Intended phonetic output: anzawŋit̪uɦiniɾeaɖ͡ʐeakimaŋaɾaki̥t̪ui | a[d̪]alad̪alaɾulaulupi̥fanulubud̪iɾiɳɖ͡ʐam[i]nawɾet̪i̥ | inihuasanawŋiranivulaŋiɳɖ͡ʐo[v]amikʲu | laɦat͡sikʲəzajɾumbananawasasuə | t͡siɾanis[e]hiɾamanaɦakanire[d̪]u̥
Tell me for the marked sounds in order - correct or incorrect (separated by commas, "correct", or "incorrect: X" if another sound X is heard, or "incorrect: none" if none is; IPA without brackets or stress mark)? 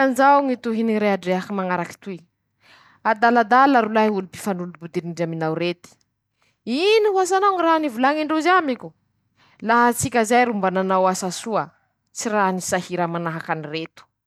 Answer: correct, correct, incorrect: z, incorrect: a, incorrect: t̪